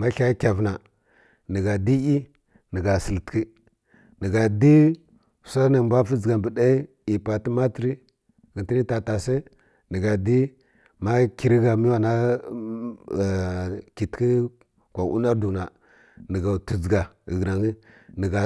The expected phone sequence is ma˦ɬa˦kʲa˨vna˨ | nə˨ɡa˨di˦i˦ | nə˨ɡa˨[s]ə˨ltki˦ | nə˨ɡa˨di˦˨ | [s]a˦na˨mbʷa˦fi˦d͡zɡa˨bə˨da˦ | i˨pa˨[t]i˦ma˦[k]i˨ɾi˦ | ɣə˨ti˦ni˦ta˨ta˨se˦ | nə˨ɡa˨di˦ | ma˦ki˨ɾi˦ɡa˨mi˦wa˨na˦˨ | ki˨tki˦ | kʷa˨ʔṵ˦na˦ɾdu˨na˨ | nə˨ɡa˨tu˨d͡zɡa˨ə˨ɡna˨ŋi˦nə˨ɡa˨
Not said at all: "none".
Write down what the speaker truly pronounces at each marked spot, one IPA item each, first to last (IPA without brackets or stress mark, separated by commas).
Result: s, s, t, t